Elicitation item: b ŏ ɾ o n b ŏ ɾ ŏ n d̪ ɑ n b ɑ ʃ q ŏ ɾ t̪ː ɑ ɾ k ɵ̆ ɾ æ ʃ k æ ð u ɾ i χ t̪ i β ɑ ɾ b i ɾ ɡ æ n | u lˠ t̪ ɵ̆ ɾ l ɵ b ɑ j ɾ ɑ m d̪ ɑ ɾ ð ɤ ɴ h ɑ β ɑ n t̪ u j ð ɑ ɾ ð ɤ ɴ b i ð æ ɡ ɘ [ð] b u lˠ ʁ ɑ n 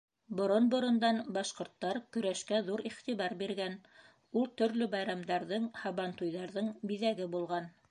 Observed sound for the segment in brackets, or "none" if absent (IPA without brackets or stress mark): none